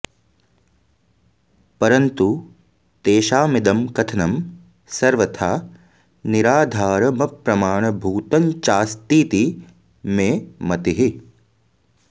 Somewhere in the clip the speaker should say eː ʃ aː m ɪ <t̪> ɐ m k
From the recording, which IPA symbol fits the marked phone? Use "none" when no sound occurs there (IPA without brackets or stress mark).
d̪